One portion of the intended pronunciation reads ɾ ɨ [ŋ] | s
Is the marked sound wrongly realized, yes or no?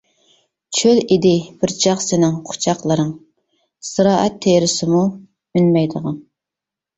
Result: no